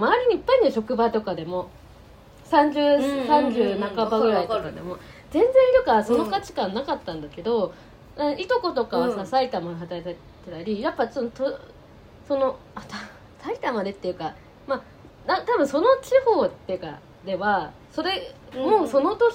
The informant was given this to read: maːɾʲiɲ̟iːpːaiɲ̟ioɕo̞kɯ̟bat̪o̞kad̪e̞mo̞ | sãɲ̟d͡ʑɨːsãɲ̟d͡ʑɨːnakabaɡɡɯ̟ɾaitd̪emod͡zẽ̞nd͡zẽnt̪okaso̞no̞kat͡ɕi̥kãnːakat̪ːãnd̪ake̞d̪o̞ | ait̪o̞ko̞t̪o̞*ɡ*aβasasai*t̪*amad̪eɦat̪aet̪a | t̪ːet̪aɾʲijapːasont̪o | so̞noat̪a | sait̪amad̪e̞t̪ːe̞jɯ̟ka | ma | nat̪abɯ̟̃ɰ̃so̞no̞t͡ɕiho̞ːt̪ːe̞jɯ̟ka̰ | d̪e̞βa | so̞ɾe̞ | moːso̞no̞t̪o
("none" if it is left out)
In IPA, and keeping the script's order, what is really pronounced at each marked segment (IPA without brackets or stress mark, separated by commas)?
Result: k, t̪